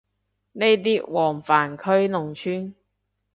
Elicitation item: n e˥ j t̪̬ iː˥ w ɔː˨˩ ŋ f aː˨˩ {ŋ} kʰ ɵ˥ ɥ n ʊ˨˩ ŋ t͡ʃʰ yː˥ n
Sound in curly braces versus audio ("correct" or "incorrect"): incorrect